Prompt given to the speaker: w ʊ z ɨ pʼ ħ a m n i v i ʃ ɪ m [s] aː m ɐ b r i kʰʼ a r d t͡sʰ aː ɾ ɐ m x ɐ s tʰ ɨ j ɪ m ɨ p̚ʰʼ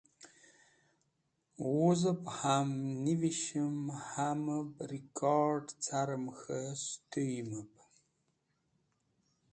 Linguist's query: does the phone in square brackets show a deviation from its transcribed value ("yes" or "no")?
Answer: yes